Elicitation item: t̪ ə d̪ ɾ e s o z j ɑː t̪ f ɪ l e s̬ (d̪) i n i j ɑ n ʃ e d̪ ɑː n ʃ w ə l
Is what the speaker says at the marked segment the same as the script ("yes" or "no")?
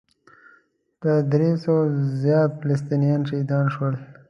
no